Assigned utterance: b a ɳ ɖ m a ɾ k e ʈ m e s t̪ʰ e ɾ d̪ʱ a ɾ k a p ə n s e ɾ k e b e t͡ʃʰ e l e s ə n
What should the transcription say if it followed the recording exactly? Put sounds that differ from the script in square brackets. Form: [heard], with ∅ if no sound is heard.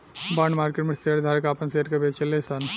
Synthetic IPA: b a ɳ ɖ m a ɾ k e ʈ m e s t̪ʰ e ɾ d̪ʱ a ɾ k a p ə n s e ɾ k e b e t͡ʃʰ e l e s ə n